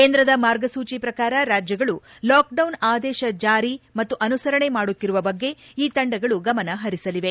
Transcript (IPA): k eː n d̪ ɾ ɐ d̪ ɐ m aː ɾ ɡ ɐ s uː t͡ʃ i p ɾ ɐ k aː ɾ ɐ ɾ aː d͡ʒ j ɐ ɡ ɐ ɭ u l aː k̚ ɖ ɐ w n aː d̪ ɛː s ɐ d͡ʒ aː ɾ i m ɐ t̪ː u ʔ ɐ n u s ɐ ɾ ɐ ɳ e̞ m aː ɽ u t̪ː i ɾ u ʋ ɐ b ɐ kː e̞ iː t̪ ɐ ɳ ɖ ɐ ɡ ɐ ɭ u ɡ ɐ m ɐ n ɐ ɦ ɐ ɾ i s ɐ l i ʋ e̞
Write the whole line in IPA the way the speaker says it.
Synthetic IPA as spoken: k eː n d̪ ɾ ɐ d̪ ɐ m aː ɾ ɡ ɐ s uː t͡ʃ i p ɾ ɐ k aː ɾ ɐ ɾ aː d͡ʒ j ɐ ɡ ɐ ɭ u l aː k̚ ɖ ɐ w n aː d̪ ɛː ʃ ɐ d͡ʒ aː ɾ i m ɐ t̪ː u ʔ ɐ n u s ɐ ɾ ɐ ɳ e̞ m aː ɽ u t̪ː i ɾ u ʋ ɐ b ɐ ɡː e̞ iː t̪ ɐ ɳ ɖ ɐ ɡ ɐ ɭ u ɡ ɐ m ɐ n ɐ ɦ ɐ ɾ i s ɐ l i ʋ e̞